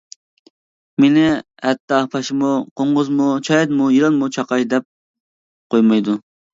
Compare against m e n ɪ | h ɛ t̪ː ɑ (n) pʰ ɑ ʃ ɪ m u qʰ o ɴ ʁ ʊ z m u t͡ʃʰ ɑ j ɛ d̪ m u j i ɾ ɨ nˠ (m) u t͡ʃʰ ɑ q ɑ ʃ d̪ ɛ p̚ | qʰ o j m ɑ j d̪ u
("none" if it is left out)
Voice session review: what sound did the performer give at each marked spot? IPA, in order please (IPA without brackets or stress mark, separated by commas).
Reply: none, m